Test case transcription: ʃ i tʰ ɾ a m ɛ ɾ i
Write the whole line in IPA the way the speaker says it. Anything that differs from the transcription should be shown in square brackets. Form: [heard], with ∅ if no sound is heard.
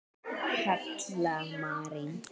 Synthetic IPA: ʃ [a] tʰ [l] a m [a] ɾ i